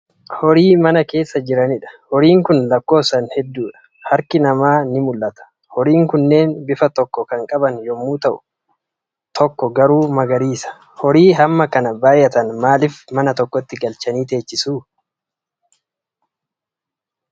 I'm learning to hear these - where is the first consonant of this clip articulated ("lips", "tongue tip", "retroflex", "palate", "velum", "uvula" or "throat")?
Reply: throat